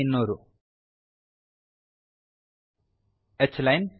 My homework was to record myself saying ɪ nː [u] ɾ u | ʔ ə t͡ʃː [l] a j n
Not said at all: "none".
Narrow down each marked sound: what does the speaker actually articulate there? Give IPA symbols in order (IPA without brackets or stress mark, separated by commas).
o, l